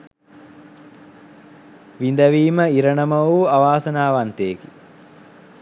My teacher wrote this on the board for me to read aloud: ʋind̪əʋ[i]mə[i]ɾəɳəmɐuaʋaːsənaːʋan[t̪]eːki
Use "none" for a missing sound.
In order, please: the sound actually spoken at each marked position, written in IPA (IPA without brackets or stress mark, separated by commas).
iː, i, t̪